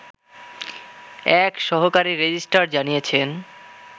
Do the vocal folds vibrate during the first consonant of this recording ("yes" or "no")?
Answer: no